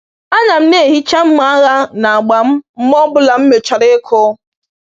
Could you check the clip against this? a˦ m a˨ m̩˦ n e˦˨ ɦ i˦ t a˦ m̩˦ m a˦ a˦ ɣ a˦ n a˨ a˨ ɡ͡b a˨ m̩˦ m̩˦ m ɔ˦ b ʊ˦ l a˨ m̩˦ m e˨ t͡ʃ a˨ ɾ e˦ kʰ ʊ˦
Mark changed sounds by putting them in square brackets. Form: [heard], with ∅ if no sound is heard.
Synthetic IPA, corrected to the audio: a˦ [ɲ] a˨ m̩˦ n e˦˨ ɦ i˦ [t͡ʃ] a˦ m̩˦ m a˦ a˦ ɣ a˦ n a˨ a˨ ɡ͡b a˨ m̩˦ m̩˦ m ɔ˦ b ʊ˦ l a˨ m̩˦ m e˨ t͡ʃ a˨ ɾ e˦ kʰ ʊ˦